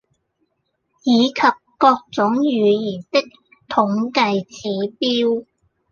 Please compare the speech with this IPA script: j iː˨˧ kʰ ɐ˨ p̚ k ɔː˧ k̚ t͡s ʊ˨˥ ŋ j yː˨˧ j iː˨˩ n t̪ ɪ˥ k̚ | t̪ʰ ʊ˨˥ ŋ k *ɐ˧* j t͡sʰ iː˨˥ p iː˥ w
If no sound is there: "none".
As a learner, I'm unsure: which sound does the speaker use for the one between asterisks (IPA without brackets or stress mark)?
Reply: ɐ˧